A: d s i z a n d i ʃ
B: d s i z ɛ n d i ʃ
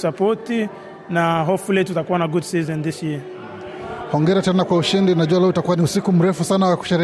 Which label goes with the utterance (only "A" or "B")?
B